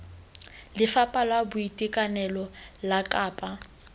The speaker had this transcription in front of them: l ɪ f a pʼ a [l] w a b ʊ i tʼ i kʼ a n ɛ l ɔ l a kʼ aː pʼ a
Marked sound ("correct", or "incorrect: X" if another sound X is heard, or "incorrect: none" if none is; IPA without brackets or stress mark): correct